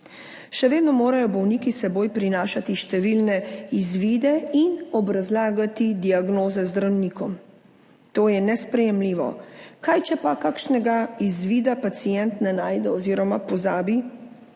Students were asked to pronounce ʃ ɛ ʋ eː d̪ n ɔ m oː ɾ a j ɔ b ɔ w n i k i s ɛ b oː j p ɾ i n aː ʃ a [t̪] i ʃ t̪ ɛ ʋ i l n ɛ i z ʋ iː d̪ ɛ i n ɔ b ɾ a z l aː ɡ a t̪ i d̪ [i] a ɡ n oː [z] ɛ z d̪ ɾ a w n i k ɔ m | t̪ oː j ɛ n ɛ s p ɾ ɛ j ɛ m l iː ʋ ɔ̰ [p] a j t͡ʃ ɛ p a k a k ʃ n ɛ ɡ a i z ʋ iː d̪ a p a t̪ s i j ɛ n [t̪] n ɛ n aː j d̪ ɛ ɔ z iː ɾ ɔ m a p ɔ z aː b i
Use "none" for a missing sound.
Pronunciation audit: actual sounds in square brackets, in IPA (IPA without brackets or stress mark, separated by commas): t̪, i, z, k, t̪